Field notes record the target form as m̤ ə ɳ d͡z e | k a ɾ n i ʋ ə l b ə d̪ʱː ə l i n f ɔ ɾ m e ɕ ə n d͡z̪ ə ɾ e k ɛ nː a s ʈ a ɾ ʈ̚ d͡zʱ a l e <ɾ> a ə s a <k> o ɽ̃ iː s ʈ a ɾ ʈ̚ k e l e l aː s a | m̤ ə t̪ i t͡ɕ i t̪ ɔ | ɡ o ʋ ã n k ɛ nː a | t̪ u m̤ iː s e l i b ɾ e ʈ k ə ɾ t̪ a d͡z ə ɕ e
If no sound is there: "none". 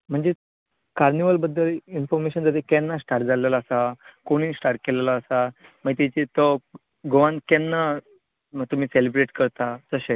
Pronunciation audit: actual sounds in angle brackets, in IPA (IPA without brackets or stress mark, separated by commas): l, k